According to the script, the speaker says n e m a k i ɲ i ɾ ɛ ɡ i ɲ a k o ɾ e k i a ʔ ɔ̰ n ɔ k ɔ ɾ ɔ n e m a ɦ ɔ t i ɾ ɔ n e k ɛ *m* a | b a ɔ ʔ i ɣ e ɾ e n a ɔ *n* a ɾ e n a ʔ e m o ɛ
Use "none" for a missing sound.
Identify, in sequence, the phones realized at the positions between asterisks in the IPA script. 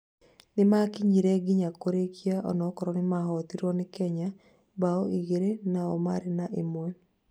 ɲ, m

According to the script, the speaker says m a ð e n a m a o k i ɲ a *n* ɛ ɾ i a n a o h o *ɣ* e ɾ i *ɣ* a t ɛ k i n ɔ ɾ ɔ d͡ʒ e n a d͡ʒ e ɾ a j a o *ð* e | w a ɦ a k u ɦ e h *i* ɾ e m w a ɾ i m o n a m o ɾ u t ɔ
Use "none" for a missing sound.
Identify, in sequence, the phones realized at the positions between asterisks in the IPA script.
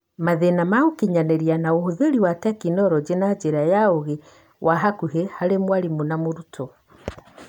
n, ð, w, ɣ, a

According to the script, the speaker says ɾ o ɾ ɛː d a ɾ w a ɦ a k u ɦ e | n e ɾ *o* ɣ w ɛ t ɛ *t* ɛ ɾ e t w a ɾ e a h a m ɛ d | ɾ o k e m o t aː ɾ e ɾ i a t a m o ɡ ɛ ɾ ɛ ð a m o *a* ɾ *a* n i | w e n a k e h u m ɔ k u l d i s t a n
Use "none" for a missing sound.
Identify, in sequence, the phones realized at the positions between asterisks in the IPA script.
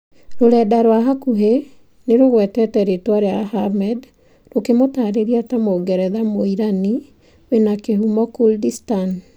o, t, i, a

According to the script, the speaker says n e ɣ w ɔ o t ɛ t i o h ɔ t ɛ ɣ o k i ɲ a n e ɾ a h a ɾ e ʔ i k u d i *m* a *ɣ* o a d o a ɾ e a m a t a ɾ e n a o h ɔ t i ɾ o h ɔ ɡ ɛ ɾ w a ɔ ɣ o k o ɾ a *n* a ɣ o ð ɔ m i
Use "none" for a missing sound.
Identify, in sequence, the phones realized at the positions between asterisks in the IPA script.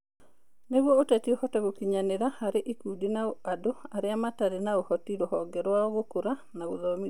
n, none, n

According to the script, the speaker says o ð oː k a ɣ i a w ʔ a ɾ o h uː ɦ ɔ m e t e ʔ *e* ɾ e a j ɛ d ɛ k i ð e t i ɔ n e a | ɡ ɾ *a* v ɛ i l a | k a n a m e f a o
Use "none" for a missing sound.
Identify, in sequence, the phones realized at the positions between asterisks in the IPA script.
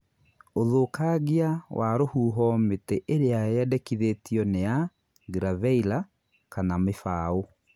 e, a

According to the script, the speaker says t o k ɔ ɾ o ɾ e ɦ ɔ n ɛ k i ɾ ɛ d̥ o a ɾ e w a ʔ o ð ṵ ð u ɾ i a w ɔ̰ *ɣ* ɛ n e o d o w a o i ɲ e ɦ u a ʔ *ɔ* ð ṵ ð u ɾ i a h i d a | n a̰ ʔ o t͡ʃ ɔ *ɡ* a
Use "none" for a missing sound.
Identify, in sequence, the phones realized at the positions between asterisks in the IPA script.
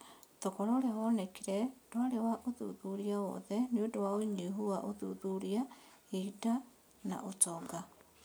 ð, o, ɡ

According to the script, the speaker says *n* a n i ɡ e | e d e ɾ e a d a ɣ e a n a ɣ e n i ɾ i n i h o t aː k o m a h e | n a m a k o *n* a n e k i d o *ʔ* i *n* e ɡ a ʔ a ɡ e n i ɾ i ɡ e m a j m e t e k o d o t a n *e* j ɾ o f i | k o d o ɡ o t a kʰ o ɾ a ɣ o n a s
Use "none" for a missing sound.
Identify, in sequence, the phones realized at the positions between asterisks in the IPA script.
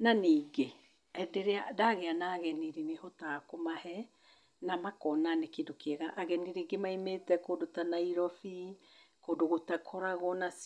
n, n, k, none, a

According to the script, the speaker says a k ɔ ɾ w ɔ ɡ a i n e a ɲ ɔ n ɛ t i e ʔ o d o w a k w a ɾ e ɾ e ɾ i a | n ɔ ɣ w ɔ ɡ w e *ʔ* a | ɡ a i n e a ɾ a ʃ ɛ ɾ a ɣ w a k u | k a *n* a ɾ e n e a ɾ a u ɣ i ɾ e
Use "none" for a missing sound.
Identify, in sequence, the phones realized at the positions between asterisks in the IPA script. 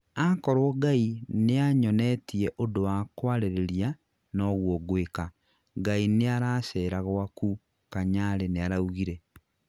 k, ɲ

